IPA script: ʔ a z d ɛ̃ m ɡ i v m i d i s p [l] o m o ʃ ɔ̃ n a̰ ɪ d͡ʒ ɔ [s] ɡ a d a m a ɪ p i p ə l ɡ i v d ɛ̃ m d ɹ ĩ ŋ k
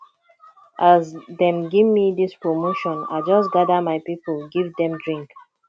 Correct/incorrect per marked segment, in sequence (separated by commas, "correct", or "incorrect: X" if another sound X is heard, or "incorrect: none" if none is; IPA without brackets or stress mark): incorrect: ɹ, correct